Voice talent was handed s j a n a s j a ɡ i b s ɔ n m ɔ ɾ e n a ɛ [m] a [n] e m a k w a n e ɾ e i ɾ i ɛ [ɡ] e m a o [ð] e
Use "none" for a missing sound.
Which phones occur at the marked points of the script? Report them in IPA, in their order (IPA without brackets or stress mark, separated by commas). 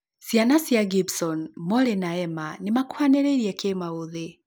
m, n, k, ð